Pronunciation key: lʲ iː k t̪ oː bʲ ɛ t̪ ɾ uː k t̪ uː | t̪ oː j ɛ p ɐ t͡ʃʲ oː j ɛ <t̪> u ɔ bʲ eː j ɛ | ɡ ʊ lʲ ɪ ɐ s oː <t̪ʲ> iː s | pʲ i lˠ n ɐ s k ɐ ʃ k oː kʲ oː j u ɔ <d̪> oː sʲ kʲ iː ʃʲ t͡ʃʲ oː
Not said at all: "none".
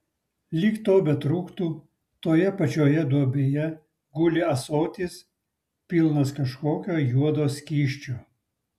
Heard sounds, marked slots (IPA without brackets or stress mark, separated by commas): d̪, t̪ʲ, d̪